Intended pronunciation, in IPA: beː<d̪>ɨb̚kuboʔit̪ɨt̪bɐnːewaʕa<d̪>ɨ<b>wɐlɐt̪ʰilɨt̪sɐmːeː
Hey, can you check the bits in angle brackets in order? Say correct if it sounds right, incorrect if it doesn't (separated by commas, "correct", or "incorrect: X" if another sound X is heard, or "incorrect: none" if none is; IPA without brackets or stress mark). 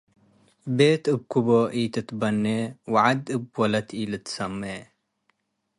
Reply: incorrect: t̪, correct, correct